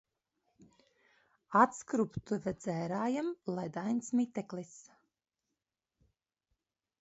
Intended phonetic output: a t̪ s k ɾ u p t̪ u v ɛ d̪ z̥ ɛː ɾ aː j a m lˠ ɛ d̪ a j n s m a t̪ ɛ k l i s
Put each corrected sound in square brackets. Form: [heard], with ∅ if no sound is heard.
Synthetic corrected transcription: a t̪ s k ɾ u p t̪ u v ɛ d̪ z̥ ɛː ɾ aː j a m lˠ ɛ d̪ a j n s m [i] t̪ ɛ k l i s